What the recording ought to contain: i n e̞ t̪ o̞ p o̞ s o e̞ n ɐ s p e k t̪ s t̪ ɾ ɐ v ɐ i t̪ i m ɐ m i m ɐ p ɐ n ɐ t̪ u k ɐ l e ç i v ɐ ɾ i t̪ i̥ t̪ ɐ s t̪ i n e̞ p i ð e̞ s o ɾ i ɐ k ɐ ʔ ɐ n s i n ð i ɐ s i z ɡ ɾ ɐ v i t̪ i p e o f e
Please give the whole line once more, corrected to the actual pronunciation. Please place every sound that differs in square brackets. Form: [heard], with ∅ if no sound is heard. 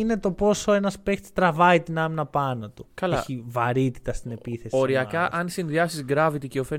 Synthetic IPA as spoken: i n e̞ t̪ o̞ p o̞ s o e̞ n ɐ s p e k t̪ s t̪ ɾ ɐ v ɐ i t̪ i [n] ɐ m i [n] ɐ p ɐ n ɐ t̪ u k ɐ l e ç i v ɐ ɾ i t̪ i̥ t̪ ɐ s t̪ i n e̞ p i [θ] e̞ s o ɾ i ɐ k ɐ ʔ ɐ n s i n ð i ɐ s i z ɡ ɾ ɐ v i t̪ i [c] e o f e